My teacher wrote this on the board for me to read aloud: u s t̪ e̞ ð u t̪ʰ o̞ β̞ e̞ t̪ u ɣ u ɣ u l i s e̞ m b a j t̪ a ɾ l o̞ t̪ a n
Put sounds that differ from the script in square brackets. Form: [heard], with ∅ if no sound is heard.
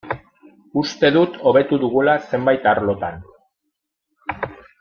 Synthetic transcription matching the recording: u s t̪ e̞ ð u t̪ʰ o̞ β̞ e̞ t̪ u [ð] u ɣ u l [a] s e̞ m b a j t̪ a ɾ l o̞ t̪ a n